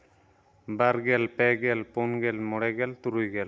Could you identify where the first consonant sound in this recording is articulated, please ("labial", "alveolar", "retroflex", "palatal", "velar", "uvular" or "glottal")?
labial